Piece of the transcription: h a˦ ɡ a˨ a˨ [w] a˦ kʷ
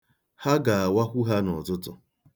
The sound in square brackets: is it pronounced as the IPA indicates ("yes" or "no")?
yes